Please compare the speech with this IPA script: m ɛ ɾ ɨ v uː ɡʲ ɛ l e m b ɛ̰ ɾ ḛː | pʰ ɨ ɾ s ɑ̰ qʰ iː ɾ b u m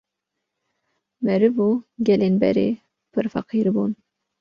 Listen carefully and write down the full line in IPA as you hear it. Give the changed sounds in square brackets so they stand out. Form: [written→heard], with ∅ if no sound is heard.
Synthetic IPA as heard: m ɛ ɾ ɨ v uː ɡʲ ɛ l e [m→n] b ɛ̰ ɾ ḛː | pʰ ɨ ɾ [s→f] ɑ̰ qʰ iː ɾ b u [m→n]

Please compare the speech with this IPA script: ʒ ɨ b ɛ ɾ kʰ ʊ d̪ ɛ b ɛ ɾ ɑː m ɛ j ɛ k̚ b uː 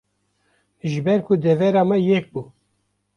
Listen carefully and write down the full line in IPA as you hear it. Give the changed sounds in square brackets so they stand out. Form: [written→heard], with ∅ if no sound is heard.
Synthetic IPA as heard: ʒ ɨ b ɛ ɾ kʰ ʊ d̪ ɛ [b→v] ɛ ɾ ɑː m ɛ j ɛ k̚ b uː

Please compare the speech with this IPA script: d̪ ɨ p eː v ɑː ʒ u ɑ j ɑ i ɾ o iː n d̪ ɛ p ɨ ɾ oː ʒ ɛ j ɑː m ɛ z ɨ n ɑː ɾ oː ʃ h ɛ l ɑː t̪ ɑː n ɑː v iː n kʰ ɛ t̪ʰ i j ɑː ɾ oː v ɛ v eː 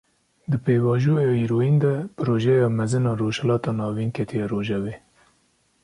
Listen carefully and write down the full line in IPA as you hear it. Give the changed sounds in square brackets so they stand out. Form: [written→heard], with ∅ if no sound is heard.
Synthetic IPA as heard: d̪ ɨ p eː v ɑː ʒ u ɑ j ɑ i ɾ o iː n d̪ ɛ p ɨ ɾ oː ʒ ɛ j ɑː m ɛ z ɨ n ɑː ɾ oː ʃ h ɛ l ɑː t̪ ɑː n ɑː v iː n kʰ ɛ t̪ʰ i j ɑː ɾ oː [v→ʒ] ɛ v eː

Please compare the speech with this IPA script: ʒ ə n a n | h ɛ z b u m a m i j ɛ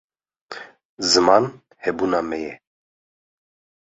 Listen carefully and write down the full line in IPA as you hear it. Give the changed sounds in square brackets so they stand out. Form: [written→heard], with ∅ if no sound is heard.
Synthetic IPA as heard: [ʒ→z] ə [n→m] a n | h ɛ [z→∅] b u [m→n] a m [i→ɛ] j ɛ

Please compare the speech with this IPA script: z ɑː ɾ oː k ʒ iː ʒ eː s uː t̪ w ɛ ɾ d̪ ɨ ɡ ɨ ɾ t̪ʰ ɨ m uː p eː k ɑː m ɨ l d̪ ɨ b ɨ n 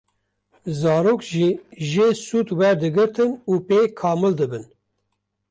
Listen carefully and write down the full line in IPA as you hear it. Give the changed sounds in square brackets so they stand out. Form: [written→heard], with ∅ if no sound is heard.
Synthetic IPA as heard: z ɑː ɾ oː k ʒ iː ʒ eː s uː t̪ w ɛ ɾ d̪ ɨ ɡ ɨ ɾ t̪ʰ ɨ [m→n] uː p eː [k→kʰ] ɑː m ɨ l d̪ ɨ b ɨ n

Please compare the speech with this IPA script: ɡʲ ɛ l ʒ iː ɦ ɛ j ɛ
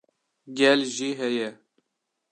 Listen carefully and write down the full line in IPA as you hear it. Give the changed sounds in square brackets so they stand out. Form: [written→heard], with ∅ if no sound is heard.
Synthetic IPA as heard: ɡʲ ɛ l ʒ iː ɦ ɛ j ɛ

